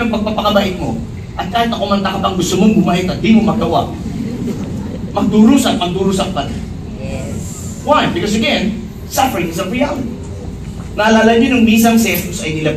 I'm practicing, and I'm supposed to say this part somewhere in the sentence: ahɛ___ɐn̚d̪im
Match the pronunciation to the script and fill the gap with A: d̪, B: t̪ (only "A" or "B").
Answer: B